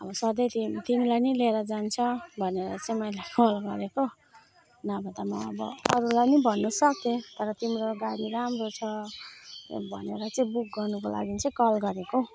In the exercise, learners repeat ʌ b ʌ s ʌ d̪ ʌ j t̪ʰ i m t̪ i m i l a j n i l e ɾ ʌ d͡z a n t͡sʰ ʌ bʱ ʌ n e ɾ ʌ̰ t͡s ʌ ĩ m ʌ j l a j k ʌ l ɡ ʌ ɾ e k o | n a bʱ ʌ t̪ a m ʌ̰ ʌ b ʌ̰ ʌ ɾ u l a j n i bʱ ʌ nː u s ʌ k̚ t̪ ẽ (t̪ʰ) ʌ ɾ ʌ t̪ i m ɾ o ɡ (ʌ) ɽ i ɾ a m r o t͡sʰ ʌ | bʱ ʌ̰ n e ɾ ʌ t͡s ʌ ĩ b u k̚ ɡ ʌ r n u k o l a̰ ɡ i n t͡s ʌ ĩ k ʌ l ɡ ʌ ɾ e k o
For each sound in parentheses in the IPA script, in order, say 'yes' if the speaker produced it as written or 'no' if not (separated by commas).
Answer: no, no